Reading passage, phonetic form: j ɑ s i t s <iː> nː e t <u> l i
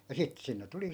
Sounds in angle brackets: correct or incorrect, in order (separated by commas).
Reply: incorrect, correct